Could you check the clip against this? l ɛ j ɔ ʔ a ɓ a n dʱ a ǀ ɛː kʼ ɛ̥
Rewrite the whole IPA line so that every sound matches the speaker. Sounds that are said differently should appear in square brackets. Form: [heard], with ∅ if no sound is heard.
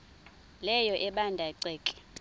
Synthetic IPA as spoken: l ɛ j ɔ ʔ [ɛ] ɓ a n dʱ a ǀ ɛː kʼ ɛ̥